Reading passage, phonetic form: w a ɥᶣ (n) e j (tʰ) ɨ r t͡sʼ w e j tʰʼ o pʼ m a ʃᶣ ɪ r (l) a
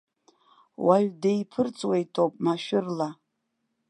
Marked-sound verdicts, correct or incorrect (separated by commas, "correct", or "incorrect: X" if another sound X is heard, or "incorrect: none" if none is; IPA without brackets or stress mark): incorrect: d, incorrect: pʰ, correct